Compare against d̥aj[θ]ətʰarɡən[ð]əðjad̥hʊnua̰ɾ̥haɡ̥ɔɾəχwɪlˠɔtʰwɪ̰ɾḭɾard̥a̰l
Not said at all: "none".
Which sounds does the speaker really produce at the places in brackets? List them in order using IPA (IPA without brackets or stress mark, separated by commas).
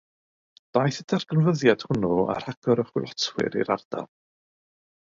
θ, v